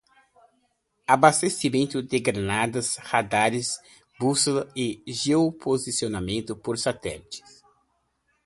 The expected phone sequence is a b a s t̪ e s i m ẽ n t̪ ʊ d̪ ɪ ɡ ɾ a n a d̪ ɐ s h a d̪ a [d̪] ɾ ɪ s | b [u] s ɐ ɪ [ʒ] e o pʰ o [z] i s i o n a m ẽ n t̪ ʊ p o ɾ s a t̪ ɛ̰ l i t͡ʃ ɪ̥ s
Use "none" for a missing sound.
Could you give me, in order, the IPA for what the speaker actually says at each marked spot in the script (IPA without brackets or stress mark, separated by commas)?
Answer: none, u, ʒ, z